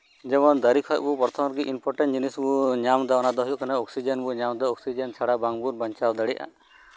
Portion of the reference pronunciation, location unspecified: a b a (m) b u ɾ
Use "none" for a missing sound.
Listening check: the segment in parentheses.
ŋ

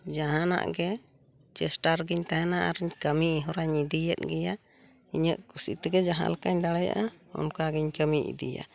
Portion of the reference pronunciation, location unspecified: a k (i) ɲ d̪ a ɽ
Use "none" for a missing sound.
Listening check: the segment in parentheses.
a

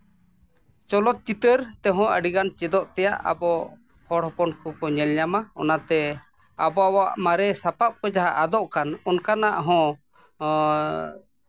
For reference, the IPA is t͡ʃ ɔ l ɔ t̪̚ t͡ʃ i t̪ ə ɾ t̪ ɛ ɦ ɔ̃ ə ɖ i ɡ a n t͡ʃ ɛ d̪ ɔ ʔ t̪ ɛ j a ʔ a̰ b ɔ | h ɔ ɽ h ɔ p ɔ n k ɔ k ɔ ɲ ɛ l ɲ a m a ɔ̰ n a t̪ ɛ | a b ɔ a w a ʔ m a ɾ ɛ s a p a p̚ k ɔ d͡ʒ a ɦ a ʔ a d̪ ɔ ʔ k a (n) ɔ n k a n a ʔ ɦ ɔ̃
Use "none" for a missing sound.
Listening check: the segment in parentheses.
n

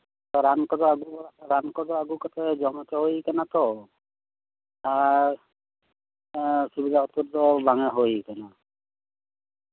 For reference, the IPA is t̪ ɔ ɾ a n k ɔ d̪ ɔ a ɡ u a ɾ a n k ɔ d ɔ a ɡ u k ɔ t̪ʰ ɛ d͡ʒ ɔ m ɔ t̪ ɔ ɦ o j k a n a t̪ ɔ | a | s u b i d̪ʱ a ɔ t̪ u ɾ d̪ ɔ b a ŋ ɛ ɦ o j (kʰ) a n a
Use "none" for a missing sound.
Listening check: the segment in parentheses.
k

